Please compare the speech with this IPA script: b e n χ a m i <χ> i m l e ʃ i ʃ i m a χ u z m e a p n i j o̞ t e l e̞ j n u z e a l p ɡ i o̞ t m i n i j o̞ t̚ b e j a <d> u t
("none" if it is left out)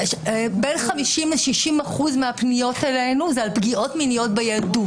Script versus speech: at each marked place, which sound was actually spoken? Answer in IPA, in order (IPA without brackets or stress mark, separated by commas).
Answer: ʃ, d